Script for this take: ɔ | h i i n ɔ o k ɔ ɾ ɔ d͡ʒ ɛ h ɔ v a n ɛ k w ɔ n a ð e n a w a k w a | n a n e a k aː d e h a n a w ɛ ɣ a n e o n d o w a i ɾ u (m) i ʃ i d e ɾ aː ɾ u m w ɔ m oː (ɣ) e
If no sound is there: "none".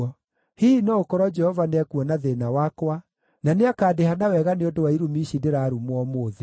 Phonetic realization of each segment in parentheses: m, ð

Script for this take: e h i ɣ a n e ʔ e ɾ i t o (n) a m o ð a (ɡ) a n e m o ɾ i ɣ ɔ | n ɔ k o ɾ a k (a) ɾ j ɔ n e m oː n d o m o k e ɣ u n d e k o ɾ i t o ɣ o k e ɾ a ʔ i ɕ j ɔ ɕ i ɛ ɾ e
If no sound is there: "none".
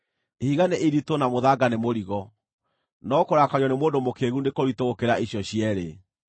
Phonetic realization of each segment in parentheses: n, ɡ, a

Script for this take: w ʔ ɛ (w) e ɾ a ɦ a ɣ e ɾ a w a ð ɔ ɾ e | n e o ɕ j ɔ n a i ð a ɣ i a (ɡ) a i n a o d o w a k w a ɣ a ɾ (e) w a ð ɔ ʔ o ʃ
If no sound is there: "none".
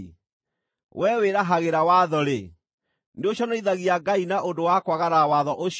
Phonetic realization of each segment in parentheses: w, ɡ, a

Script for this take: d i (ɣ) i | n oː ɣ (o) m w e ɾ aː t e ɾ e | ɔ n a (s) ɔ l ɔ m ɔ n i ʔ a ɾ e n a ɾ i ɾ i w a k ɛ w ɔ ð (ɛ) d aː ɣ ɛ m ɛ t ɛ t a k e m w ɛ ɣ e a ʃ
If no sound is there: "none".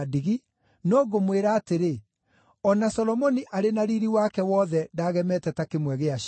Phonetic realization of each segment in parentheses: ɣ, o, s, ɛ

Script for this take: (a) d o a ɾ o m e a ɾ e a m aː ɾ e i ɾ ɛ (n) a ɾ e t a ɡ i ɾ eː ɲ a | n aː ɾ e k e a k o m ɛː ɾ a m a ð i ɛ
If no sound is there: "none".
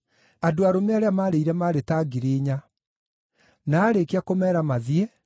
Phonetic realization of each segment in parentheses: a, m

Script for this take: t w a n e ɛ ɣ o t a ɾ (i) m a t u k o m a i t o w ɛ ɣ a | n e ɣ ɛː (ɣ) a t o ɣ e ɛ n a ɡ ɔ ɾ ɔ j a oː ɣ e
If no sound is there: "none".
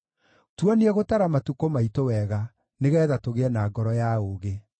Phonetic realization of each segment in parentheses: a, ð

